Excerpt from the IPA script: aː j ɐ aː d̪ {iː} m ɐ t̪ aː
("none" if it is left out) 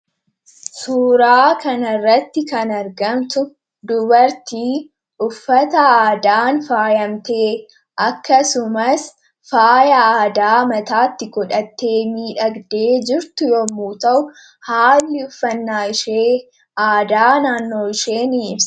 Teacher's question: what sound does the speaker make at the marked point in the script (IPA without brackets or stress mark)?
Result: aː